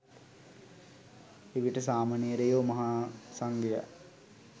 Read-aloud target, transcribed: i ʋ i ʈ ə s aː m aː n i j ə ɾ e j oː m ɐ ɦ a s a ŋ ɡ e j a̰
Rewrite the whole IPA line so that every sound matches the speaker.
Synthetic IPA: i ʋ i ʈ ə s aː m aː n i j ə ɾ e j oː m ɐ ɦ a s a ŋ ɡ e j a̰